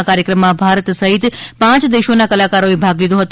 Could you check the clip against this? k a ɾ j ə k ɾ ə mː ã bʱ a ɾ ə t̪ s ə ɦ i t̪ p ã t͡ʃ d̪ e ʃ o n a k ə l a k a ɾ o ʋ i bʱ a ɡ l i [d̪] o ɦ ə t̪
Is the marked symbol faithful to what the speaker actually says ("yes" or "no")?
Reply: yes